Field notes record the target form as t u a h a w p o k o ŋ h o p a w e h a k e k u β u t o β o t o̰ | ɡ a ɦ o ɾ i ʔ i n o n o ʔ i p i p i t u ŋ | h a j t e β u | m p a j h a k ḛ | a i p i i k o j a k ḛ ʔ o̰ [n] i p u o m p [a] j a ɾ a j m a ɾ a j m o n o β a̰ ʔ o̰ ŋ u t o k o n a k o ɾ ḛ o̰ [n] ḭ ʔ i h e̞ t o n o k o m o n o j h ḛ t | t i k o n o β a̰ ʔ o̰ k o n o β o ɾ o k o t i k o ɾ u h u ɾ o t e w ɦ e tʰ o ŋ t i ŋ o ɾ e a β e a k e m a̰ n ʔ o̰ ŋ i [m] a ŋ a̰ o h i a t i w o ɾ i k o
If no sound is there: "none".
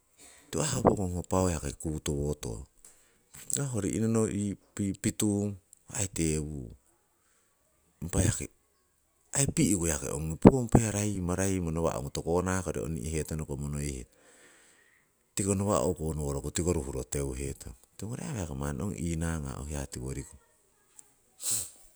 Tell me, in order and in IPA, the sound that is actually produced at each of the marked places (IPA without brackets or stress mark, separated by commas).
ŋ, a, n, n